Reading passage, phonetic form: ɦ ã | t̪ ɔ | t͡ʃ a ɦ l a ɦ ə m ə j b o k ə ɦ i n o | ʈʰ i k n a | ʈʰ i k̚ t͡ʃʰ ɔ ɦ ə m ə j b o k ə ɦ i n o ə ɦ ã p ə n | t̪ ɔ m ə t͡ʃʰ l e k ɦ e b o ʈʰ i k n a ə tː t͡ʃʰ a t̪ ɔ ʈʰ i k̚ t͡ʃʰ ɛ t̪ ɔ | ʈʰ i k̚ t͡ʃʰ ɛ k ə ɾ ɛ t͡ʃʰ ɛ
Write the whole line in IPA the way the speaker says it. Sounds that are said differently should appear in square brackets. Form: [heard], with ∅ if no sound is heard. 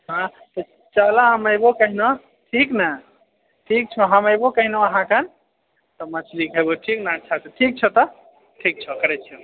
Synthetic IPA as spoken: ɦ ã | t̪ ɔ | t͡ʃ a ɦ l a ɦ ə m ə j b o k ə ɦ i n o | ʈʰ i k n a | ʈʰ i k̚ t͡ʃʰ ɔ ɦ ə m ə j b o k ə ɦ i n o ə ɦ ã [k] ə n | t̪ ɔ m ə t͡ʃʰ l [i] k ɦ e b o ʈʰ i k n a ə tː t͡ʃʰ a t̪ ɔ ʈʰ i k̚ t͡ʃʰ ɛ t̪ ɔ | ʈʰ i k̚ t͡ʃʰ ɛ k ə ɾ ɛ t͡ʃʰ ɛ

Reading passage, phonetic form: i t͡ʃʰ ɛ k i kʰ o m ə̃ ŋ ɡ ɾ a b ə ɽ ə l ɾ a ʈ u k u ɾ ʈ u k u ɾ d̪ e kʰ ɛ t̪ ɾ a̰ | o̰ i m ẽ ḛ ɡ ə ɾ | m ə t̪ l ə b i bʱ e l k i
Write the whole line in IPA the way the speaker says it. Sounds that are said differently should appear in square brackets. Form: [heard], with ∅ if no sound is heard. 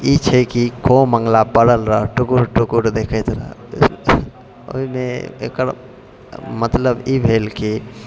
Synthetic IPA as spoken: i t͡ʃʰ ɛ k i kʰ o m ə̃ ŋ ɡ [l] a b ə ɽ ə l ɾ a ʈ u k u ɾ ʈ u k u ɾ d̪ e kʰ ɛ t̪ ɾ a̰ | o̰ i m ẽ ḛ [k] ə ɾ | m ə t̪ l ə b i bʱ e l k i

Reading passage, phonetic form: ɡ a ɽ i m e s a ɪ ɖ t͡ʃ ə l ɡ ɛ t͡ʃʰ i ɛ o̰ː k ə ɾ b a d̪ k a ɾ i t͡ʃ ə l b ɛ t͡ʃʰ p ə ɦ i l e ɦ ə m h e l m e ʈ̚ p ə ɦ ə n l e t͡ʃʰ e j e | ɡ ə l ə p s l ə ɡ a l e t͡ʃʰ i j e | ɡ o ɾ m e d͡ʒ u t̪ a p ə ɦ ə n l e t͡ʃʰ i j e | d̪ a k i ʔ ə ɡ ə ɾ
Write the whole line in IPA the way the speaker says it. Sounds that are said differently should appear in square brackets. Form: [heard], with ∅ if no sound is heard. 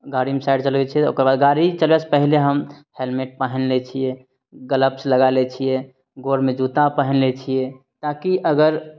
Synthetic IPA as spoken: ɡ a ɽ i m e s a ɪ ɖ t͡ʃ ə l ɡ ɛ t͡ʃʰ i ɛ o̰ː k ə ɾ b a d̪ [ɡ] a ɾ i t͡ʃ ə l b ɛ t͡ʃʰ p ə ɦ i l e ɦ ə m h e l m e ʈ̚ p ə ɦ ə n l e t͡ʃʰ [i] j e | ɡ ə l ə p s l ə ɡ a l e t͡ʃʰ i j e | ɡ o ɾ m e d͡ʒ u t̪ a p ə ɦ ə n l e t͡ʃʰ i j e | [t̪] a k i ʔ ə ɡ ə ɾ

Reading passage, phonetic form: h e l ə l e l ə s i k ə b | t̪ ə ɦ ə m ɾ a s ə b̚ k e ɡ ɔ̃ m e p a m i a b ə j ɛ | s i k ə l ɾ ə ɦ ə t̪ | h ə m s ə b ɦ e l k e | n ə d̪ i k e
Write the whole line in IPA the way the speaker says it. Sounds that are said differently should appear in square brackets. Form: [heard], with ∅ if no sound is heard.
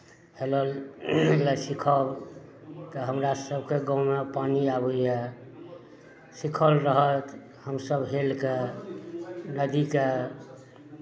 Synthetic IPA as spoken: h e l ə l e l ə s i [kʰ] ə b | t̪ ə ɦ ə m ɾ a s ə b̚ k e ɡ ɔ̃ m e p a [n] i a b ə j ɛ | s i [kʰ] ə l ɾ ə ɦ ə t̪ | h ə m s ə b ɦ e l k e | n ə d̪ i k e

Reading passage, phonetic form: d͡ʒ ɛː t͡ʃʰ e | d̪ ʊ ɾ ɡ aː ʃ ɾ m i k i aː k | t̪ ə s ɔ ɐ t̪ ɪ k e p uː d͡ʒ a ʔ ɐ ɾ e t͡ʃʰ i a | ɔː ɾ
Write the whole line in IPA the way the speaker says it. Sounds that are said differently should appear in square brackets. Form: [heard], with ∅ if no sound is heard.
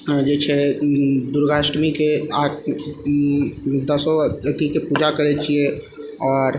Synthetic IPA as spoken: d͡ʒ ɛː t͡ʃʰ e | d̪ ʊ ɾ ɡ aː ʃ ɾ m i k [e] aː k | [d̪] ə s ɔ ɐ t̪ [i] k e p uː d͡ʒ a [k] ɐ ɾ e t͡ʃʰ i [e] | ɔː ɾ

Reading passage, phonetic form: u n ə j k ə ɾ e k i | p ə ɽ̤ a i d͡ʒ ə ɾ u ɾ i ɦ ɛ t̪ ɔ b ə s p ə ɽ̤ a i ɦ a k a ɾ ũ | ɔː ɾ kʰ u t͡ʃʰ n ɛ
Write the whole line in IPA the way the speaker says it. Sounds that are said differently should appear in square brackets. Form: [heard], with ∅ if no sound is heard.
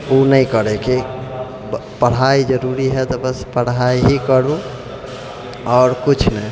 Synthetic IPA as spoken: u n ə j k ə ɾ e k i | p ə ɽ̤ a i d͡ʒ ə ɾ u ɾ i ɦ ɛ t̪ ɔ b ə s p ə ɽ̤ a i ɦ [i] k [ə] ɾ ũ | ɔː ɾ [k] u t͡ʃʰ n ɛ

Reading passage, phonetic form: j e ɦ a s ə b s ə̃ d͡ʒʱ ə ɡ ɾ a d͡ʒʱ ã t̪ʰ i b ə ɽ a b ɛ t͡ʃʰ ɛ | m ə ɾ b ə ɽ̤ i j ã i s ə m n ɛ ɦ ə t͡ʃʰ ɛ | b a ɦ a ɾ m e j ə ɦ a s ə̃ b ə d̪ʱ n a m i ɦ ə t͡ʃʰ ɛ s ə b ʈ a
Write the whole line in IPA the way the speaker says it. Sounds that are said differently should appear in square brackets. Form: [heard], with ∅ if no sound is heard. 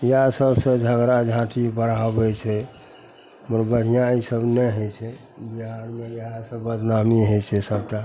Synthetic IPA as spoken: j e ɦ a s ə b s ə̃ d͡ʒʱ ə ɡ ɾ a d͡ʒʱ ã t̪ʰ i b ə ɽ a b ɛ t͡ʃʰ ɛ | m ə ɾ b ə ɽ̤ i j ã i s ə [b] n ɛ ɦ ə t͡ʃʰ ɛ | b [i] ɦ a ɾ m e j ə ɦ a s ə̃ b ə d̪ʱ n a m i ɦ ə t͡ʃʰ ɛ s ə b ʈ a

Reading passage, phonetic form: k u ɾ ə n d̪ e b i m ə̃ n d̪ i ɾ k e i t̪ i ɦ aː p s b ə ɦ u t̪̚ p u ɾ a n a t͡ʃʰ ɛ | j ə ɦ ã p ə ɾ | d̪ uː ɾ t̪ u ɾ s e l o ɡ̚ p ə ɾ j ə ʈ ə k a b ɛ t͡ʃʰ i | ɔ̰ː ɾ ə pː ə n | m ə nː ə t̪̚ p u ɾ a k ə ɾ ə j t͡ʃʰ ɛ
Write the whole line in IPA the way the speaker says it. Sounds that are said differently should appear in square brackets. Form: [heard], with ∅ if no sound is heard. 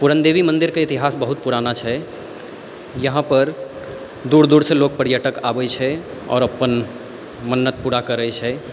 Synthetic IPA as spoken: [p] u ɾ ə n d̪ e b i m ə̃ n d̪ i ɾ k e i t̪ i ɦ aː [∅] s b ə ɦ u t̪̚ p u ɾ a n a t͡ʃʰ ɛ | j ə ɦ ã p ə ɾ | d̪ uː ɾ [d̪] u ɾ s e l o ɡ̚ p ə ɾ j ə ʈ ə k a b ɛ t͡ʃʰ [ɛ] | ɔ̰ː ɾ ə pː ə n | m ə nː ə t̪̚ p u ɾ a k ə ɾ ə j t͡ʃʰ ɛ

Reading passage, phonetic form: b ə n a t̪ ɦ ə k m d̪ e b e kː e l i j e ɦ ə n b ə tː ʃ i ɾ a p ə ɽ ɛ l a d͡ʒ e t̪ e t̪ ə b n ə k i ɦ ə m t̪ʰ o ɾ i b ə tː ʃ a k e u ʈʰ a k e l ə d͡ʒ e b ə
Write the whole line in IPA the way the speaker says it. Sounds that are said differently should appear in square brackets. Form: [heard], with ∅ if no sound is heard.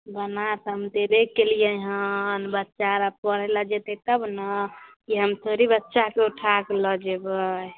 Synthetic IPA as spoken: b ə n a t̪ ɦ ə [∅] m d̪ e b e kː e l i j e ɦ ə n b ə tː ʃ [a] ɾ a p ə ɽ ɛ l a d͡ʒ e t̪ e t̪ ə b n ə k i ɦ ə m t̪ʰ o ɾ i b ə tː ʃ a k e u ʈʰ a k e l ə d͡ʒ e b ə

